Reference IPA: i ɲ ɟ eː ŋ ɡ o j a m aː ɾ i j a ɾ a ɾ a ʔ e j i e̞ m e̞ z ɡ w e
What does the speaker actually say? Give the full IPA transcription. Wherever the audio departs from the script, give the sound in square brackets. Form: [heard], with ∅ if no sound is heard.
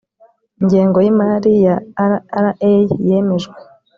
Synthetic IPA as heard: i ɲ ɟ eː ŋ ɡ o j [i] m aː ɾ i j a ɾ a ɾ a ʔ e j [j] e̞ m e̞ [ʒ] ɡ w e